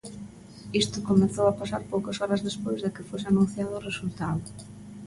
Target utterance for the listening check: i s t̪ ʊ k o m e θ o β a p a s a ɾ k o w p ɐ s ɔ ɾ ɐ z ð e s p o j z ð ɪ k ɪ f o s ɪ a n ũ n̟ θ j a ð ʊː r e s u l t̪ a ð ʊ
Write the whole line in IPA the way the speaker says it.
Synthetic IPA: i s t̪ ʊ k o m e θ o w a p a s a ɾ p o w k ɐ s ɔ ɾ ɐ z ð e s p o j z ð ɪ k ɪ f o s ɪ a n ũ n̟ θ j a ð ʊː r e s u l t̪ a ð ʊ